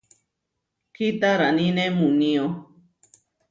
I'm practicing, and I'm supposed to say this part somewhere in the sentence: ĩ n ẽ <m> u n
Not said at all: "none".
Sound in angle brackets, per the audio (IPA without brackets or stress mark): m